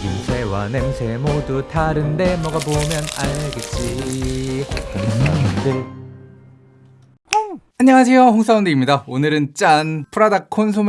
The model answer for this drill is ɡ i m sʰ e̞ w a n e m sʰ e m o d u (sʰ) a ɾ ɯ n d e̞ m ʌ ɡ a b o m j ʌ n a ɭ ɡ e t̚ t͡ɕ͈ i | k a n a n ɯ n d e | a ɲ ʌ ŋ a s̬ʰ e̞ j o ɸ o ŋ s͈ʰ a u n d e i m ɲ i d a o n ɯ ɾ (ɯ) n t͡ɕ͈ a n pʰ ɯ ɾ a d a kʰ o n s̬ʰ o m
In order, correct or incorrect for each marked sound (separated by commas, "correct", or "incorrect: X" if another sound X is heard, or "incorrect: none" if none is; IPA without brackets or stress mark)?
incorrect: tʰ, correct